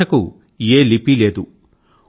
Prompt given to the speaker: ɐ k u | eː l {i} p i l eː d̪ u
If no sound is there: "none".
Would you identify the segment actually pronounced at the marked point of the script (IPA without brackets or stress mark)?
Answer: i